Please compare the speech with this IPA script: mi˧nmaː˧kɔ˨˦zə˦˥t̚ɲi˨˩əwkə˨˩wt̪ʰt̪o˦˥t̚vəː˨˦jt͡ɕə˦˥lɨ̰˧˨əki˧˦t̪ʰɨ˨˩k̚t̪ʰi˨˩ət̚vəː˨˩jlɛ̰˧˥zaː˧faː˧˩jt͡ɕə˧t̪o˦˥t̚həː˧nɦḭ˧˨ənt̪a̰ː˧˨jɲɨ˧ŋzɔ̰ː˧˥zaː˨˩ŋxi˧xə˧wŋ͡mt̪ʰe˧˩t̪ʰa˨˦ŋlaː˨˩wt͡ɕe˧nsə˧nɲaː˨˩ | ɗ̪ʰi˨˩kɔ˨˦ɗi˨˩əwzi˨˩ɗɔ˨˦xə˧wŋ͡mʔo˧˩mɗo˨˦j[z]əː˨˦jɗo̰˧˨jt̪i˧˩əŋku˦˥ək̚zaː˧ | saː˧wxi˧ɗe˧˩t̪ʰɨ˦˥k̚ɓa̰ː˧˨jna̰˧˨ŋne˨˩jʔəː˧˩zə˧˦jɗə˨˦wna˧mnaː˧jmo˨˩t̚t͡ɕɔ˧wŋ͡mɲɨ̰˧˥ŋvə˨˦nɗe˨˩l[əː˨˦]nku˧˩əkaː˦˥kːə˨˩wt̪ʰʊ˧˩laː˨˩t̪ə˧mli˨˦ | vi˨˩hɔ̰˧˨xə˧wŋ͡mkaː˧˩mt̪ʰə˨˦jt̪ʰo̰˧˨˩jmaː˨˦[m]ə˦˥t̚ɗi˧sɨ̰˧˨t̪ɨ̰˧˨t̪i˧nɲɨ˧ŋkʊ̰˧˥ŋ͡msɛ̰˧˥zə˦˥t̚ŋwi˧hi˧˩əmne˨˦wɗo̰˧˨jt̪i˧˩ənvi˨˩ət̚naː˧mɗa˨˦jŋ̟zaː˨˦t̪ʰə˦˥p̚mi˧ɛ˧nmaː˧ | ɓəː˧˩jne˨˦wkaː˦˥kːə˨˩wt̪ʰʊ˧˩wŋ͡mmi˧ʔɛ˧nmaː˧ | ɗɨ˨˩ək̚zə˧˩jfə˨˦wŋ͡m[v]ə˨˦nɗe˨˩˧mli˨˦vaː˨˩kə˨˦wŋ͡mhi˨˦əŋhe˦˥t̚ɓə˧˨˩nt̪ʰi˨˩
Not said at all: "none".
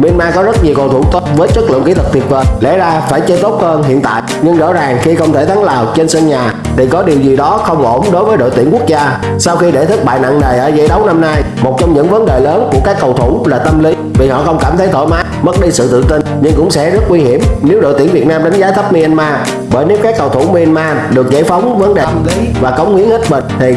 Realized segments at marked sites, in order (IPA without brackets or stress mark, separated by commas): v, əː˨˦, m, v